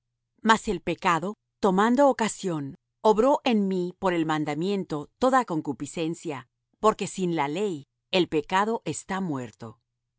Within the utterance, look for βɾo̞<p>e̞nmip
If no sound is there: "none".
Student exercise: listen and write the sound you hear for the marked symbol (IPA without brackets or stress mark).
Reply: ʔ